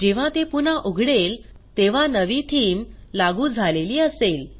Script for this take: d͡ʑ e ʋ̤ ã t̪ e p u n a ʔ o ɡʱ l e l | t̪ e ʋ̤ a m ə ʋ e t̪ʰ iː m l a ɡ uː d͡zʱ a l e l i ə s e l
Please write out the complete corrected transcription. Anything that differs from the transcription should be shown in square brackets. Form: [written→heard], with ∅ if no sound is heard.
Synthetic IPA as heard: d͡ʑ e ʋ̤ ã t̪ e p u n a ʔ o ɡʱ [l→ɽ] e l | t̪ e ʋ̤ a [m→n] ə ʋ [e→i] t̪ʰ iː m l a ɡ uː d͡zʱ a l e l [i→iː] ə s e l